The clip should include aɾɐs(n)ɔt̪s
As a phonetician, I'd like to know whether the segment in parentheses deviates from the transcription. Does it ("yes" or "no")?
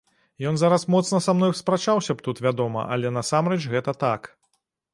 yes